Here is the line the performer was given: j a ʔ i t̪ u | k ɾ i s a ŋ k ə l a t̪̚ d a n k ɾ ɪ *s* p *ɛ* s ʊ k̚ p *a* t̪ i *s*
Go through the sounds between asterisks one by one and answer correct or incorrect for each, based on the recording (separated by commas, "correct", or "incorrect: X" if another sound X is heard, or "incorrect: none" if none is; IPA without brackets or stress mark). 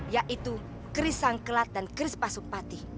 correct, incorrect: a, correct, incorrect: none